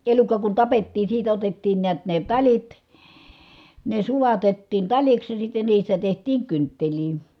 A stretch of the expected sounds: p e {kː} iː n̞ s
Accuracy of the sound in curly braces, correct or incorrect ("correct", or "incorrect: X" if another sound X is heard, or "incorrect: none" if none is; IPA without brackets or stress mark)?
incorrect: tː